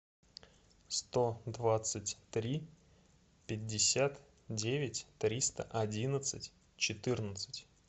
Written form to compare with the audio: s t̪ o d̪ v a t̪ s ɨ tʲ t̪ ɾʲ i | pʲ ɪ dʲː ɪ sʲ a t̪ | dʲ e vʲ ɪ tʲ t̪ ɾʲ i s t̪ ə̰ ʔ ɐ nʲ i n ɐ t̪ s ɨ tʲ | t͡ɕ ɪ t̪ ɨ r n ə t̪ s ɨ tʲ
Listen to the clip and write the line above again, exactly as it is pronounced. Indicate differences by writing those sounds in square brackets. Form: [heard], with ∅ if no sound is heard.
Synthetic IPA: s t̪ o d̪ v a t̪ s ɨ tʲ t̪ ɾʲ i | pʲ ɪ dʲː ɪ sʲ a t̪ | dʲ e vʲ ɪ tʲ t̪ ɾʲ i s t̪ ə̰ ʔ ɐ [dʲ] i n [ə] t̪ s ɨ tʲ | t͡ɕ ɪ t̪ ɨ r n ə t̪ s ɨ tʲ